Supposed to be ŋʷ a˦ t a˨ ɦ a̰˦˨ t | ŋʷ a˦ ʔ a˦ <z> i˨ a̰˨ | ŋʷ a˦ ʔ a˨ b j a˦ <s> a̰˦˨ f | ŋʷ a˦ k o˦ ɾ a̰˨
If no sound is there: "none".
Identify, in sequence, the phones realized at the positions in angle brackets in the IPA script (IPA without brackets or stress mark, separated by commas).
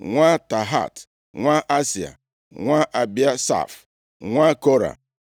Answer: s, s